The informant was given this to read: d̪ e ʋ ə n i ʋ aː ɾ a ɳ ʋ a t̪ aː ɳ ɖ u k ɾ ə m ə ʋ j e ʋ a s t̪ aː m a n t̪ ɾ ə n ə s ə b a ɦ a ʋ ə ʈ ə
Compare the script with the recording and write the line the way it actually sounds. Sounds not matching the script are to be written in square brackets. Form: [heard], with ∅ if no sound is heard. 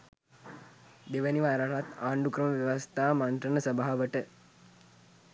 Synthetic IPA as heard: d̪ e ʋ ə n i ʋ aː ɾ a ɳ ʋ a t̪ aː ɳ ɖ u k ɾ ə m ə ʋ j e ʋ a s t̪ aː m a n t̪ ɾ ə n ə s ə b a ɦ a ʋ ə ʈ ə